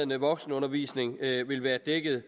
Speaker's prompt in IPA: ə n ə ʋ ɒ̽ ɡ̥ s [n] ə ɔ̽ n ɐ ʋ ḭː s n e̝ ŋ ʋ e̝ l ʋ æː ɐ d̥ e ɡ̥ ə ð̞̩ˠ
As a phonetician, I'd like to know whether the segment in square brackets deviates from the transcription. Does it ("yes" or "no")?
no